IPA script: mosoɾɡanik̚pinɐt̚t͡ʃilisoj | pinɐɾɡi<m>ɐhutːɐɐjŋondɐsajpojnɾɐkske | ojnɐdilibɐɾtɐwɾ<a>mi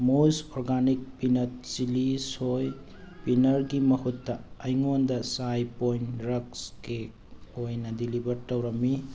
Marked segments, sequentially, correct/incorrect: correct, incorrect: ɐ

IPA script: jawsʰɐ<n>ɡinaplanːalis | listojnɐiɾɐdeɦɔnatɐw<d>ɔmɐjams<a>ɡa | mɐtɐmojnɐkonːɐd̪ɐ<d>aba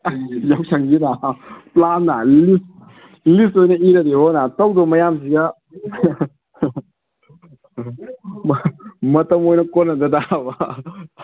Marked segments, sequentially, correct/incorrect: incorrect: ŋ, correct, incorrect: i, correct

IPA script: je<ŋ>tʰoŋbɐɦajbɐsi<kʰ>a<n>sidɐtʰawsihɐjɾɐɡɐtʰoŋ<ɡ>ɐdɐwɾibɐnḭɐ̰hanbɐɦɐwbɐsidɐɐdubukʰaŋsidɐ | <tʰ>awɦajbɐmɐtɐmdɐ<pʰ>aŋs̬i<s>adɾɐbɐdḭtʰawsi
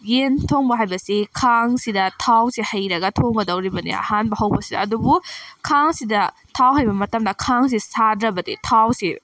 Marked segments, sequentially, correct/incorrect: incorrect: n, correct, incorrect: ŋ, correct, correct, incorrect: kʰ, correct

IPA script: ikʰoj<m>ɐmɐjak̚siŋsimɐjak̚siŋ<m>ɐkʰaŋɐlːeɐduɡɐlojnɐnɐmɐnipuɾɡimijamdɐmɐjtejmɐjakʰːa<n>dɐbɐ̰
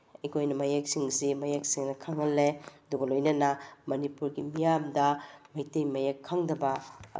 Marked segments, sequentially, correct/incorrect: incorrect: n, incorrect: n, incorrect: ŋ

